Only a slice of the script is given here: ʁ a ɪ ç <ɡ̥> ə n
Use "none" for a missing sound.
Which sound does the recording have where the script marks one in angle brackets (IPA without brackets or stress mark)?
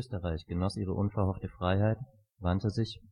ɡ̥